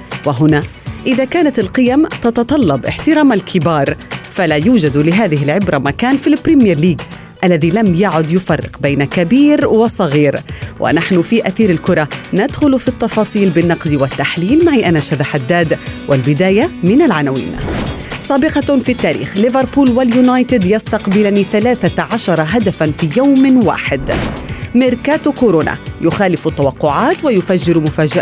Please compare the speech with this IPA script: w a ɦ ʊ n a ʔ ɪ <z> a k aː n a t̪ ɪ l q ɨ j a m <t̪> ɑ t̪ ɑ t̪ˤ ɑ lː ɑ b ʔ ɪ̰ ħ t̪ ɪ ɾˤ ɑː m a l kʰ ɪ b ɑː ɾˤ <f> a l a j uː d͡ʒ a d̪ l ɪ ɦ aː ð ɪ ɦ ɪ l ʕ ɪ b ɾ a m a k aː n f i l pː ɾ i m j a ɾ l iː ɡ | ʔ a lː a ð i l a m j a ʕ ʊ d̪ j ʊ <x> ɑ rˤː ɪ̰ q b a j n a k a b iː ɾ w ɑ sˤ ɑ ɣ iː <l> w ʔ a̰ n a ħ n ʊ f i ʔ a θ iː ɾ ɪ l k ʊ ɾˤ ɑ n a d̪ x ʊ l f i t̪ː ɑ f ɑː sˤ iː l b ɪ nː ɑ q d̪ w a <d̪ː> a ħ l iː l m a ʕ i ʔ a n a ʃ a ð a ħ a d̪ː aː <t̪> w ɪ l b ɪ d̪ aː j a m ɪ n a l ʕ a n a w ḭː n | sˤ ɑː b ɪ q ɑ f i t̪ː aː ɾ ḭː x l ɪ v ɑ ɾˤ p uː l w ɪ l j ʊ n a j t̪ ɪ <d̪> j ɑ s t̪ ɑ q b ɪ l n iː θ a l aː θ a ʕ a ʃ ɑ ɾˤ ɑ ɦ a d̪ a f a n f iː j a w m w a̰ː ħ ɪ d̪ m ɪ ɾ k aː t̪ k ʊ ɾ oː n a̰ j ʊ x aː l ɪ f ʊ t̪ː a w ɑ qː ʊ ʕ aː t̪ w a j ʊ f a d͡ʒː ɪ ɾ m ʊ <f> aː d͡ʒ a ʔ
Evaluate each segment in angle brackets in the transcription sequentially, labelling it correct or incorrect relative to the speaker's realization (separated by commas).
incorrect, correct, correct, incorrect, incorrect, incorrect, incorrect, correct, correct